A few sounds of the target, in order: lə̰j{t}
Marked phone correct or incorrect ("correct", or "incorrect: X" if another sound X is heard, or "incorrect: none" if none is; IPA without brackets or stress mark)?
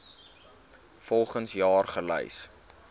incorrect: s